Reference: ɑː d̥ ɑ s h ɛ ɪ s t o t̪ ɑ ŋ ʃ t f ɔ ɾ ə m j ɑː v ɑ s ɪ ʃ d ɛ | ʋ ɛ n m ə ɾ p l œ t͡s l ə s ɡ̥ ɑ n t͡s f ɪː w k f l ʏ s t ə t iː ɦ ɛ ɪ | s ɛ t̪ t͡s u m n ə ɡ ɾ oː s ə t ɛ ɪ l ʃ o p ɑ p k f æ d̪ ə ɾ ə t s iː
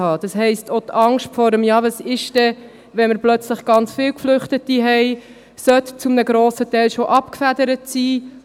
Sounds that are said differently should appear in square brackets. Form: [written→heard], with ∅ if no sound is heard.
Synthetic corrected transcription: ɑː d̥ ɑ s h ɛ ɪ s t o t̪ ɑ ŋ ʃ t f ɔ ɾ ə m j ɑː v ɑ s ɪ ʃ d ɛ | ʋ ɛ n m ə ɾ p l œ t͡s l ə [s→χ] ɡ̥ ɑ n t͡s f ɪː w k f l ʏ [s→χ] t ə t [iː→i] ɦ ɛ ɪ | s [ɛ→œ] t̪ t͡s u m n ə ɡ ɾ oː s ə t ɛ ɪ l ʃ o [p→ʔ] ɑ p k f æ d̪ ə ɾ ə t s iː